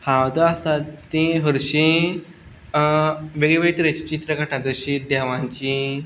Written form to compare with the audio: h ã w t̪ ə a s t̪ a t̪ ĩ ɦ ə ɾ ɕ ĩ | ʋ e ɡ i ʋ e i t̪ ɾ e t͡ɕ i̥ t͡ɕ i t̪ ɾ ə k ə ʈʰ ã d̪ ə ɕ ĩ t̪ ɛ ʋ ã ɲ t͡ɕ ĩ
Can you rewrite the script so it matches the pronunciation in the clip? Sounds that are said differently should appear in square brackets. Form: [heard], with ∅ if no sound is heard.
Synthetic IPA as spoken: h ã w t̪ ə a s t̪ a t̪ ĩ ɦ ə ɾ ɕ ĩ | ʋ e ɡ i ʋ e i t̪ ɾ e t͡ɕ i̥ t͡ɕ i t̪ ɾ ə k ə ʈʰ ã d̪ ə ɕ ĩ [d̪] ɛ ʋ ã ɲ t͡ɕ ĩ